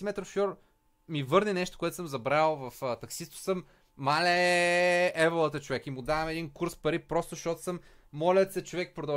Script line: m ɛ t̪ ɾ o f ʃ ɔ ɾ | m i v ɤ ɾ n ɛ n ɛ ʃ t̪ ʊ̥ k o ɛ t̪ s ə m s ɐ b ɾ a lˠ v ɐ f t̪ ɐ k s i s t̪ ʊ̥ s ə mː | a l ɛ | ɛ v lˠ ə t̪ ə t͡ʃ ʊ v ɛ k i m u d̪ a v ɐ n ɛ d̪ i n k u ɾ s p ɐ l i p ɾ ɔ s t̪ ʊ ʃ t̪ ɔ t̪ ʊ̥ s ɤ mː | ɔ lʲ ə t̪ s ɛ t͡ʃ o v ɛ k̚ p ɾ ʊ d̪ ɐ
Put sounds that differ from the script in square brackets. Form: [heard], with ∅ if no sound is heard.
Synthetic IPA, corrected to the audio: m ɛ t̪ ɾ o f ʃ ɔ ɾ | m i v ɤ ɾ n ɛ n ɛ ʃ t̪ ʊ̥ k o ɛ t̪ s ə m [z] ɐ b ɾ a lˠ v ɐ f t̪ ɐ k s i s t̪ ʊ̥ s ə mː | a l ɛ | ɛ v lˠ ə t̪ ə t͡ʃ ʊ v ɛ k i m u d̪ a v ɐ [m] ɛ d̪ i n k u ɾ s p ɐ [ɾ] i p ɾ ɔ s t̪ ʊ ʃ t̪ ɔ t̪ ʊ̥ s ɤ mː | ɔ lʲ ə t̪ s ɛ t͡ʃ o v ɛ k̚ p ɾ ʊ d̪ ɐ